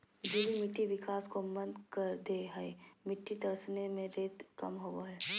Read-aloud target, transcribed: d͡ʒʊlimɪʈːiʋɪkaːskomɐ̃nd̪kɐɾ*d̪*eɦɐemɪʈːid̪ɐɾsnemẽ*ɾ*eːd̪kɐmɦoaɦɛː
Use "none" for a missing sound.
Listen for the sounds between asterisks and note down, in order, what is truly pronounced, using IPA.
d̪, ɾ

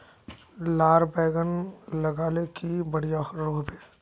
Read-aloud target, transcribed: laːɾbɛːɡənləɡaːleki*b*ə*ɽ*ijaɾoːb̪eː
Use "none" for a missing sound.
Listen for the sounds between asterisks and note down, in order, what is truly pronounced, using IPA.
b, ɽ

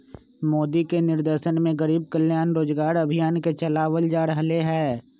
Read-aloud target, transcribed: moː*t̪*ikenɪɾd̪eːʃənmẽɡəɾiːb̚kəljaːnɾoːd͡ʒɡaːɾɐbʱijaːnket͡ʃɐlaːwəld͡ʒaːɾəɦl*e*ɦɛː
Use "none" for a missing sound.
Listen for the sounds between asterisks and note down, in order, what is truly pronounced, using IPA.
d̪, e

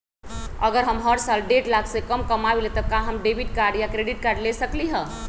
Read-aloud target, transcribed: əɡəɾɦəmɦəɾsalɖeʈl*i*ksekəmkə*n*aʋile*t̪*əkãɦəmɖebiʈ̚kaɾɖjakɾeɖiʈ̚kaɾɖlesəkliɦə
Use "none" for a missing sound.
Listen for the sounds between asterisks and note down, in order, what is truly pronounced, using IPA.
a, m, t̪

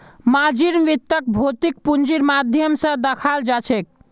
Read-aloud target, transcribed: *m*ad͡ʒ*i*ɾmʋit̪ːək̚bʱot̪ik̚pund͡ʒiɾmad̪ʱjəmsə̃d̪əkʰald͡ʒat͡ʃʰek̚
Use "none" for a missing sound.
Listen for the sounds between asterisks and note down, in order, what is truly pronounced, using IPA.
m, i

